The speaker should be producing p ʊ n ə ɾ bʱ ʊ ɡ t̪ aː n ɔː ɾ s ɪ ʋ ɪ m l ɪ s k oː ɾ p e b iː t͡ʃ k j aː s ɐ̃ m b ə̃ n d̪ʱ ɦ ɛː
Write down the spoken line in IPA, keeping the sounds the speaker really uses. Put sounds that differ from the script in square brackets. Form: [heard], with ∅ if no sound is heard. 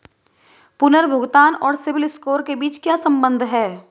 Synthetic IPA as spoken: p ʊ n ə ɾ bʱ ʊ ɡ t̪ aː n ɔː ɾ s ɪ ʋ ɪ [∅] l ɪ s k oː ɾ [k] e b iː t͡ʃ k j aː s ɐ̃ m b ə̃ n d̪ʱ ɦ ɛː